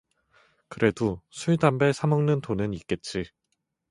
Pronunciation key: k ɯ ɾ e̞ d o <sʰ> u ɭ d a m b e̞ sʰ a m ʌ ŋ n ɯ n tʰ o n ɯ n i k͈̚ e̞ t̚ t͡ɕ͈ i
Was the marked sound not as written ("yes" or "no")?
no